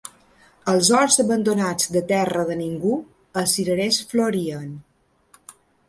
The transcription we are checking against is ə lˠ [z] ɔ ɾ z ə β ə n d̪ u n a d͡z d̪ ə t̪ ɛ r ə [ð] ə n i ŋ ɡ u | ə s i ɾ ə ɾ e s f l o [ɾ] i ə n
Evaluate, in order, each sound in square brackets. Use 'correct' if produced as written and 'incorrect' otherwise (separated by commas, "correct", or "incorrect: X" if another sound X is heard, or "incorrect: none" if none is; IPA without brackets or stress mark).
correct, correct, correct